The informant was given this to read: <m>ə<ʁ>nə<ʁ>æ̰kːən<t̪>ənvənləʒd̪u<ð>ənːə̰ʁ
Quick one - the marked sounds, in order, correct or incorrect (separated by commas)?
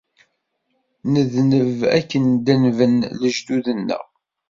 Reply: incorrect, incorrect, incorrect, incorrect, correct